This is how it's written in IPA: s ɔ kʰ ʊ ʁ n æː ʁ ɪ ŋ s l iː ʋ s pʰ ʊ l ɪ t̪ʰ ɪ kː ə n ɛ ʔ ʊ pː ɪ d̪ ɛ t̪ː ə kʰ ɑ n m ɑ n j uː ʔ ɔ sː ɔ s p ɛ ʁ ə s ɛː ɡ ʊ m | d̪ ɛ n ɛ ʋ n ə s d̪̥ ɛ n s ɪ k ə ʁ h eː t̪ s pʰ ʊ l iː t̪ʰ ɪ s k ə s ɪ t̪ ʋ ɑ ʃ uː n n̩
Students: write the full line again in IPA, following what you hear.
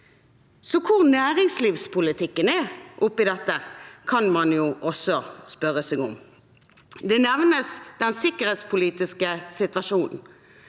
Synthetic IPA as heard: s ɔ kʰ ʊ ʁ n æː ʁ ɪ ŋ s l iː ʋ s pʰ ʊ l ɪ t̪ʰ ɪ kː ə n ɛ ʔ ʊ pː ɪ d̪ ɛ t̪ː ə kʰ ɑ n m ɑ n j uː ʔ ɔ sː ɔ s p œ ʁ ə s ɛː ɡ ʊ m | d̪ ɛ n ɛ ʋ n ə s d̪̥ ɛ n s ɪ k ə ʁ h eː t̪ s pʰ ʊ l iː t̪ ɪ s k ə s ɪ t̪ ʋ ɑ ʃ uː n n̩